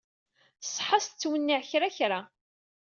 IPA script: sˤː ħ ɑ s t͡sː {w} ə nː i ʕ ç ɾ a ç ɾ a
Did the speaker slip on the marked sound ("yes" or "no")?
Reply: no